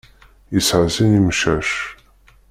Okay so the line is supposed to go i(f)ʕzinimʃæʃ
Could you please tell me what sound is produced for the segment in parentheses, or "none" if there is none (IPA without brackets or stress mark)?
s